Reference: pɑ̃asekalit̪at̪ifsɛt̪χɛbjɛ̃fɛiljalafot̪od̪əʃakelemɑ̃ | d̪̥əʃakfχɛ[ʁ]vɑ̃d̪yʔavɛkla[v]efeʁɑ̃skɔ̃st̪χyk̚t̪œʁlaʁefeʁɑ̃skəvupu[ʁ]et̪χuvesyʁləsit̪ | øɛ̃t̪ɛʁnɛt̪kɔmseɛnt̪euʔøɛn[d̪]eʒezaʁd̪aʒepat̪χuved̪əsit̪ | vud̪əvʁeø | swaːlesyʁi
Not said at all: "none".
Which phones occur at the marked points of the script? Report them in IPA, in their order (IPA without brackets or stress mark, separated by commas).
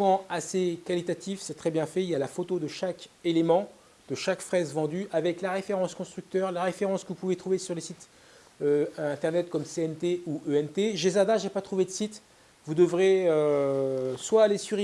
z, ʁ, v, t̪